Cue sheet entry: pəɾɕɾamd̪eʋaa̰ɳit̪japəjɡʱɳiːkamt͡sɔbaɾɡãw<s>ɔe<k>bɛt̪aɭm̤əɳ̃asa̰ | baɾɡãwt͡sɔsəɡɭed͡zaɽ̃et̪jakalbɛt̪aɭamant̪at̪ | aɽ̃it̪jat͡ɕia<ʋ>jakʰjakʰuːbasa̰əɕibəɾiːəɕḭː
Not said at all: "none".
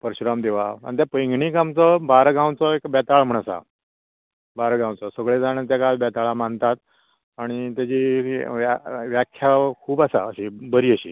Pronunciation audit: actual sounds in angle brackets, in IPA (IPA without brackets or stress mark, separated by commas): t͡s, k, ʋ